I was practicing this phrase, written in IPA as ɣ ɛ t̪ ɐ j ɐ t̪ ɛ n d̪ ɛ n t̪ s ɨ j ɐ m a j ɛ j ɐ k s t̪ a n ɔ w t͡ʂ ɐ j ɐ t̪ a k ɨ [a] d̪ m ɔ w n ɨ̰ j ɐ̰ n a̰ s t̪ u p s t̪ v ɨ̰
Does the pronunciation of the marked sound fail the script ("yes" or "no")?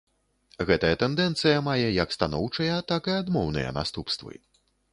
no